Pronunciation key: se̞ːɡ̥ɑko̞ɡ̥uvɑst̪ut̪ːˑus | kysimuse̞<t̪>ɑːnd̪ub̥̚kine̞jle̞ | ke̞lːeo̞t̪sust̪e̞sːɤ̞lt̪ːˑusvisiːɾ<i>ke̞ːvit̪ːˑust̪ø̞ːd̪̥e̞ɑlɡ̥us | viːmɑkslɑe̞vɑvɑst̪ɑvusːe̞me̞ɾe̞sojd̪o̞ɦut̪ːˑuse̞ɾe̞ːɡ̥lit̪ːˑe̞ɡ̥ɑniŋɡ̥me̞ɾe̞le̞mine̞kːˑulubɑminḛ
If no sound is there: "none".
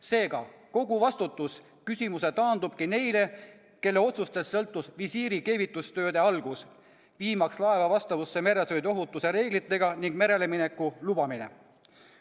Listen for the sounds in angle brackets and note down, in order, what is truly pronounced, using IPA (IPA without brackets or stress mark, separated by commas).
t̪, i